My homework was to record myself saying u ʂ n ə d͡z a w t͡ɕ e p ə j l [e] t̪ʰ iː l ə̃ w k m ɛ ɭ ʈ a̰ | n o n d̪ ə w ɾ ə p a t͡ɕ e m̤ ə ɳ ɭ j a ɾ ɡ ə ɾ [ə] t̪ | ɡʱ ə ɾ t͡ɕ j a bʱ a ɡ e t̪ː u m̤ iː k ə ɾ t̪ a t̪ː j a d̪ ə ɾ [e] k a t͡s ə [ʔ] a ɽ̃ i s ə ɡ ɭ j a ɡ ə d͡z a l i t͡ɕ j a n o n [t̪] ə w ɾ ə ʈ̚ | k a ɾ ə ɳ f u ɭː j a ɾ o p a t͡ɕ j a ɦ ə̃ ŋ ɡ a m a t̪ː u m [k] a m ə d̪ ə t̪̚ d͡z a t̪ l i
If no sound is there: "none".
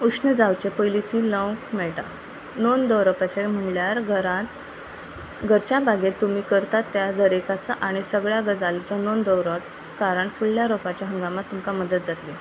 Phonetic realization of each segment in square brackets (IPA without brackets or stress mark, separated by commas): i, a, e, ʔ, d̪, k